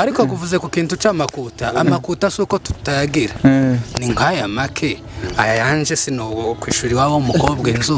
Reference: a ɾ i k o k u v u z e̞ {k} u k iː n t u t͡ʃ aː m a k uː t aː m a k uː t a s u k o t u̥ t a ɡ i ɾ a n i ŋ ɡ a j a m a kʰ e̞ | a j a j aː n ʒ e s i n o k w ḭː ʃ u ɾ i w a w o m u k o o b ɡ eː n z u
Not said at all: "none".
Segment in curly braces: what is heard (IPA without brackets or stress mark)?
k